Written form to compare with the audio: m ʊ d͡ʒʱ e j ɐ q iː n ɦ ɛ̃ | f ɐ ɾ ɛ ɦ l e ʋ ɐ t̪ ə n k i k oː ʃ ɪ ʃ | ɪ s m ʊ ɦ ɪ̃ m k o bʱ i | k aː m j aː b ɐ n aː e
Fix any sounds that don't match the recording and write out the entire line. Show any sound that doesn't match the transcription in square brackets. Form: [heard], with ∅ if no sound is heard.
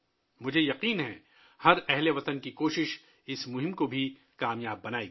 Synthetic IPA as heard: m ʊ d͡ʒʱ e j ɐ q iː n ɦ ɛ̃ | [h] ɐ ɾ ɛ ɦ l e ʋ ɐ t̪ ə n k i k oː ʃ ɪ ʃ | ɪ s m ʊ ɦ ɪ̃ m k o bʱ i | k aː m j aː [bː] ɐ n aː e